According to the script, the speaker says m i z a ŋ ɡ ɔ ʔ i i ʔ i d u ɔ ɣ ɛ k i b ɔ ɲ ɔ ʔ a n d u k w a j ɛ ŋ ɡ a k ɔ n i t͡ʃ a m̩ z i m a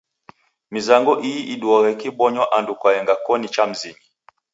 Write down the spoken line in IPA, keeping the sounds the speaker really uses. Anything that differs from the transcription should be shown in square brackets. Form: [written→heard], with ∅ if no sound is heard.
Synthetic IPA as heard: m i z a ŋ ɡ ɔ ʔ i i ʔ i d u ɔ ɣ ɛ k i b ɔ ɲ ɔ ʔ a n d u k w a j ɛ ŋ ɡ a k ɔ n i t͡ʃ a m̩ z i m [a→i]